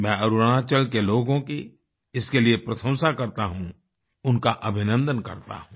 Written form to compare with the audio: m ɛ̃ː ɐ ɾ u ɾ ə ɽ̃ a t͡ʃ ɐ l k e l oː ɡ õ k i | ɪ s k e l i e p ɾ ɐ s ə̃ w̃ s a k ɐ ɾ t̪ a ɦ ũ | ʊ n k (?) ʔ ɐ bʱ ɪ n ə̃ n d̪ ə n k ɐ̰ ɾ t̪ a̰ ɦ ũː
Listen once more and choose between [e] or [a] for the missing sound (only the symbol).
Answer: a